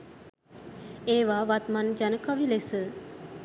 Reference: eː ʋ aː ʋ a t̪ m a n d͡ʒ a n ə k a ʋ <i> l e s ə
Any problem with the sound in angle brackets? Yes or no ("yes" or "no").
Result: no